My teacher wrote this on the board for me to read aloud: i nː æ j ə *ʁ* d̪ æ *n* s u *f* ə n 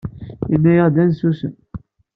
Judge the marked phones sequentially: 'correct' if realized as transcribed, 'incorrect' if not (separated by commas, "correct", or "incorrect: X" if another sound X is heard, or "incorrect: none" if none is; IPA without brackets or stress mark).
correct, correct, incorrect: s